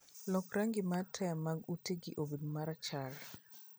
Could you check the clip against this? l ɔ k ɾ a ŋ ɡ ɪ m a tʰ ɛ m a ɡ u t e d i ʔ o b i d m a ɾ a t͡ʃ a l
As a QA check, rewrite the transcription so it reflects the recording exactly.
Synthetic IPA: l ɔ k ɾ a ŋ ɡ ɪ m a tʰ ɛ m a ɡ u t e ɡ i ʔ o b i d m a ɾ a t͡ʃ a l